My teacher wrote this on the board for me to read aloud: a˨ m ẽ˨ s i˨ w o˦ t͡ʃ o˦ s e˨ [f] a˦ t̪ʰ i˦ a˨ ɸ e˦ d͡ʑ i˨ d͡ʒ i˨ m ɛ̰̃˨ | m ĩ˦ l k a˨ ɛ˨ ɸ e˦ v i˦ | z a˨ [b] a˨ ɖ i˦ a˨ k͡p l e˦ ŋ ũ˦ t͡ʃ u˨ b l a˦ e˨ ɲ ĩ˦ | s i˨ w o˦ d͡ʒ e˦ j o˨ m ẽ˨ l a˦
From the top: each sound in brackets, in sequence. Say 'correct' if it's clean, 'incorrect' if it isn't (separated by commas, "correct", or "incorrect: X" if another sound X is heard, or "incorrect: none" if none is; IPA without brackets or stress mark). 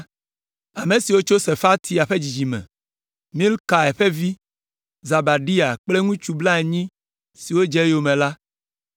correct, correct